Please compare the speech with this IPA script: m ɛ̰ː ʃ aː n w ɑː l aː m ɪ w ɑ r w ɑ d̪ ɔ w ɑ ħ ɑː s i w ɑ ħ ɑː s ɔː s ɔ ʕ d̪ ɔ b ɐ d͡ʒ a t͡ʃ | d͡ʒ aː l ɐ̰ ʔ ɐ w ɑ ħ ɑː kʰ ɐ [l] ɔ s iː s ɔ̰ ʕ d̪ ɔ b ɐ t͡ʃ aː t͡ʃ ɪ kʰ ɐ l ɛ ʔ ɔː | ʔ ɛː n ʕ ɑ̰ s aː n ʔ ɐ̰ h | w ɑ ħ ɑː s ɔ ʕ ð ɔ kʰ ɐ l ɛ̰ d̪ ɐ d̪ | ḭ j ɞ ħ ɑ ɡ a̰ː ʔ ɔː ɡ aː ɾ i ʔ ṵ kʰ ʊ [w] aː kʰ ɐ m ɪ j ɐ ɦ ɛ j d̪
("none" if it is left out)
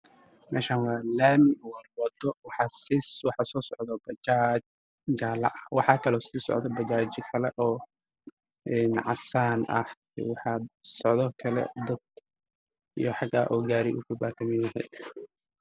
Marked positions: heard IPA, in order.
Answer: l, b

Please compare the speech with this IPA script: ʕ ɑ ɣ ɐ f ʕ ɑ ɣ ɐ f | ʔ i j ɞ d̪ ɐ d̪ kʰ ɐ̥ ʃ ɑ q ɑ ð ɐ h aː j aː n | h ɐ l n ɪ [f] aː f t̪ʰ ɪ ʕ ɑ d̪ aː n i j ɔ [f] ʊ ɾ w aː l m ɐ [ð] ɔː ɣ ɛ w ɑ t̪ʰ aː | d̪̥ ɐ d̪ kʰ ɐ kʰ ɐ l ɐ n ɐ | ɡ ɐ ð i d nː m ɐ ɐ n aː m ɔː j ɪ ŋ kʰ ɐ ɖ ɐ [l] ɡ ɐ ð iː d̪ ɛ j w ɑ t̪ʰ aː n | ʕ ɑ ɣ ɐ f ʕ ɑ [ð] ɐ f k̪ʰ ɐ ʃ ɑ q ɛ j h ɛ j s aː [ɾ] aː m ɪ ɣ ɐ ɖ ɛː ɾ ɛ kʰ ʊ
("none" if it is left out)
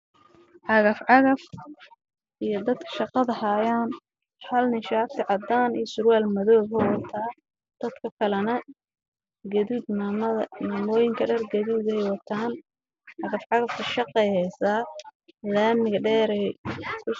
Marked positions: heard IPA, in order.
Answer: ʃ, s, ð, r, ɣ, l

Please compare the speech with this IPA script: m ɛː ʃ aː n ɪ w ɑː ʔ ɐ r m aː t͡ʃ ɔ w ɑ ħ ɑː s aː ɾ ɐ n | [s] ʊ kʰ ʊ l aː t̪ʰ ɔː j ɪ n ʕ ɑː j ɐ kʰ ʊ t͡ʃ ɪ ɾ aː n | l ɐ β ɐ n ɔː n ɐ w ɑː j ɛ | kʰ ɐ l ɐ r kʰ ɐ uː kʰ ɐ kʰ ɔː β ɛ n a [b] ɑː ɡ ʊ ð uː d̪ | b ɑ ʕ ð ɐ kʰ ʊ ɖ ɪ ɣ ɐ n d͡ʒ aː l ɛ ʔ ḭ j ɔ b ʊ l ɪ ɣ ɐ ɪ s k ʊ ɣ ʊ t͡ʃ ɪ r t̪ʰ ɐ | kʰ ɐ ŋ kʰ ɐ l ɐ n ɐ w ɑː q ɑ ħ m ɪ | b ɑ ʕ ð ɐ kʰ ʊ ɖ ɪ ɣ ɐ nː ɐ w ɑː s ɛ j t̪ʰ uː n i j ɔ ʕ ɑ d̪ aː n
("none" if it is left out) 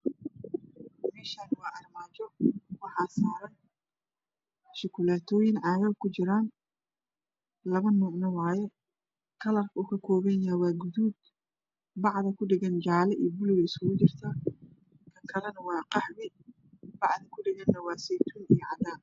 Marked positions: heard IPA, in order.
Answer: ʃ, w

